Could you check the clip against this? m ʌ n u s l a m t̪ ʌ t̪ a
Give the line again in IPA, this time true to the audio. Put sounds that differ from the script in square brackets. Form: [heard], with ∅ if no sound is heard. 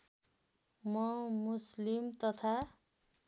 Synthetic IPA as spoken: m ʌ [m] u s l [i] m t̪ ʌ [t̪ʰ] a